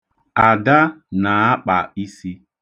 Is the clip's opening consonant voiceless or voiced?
voiced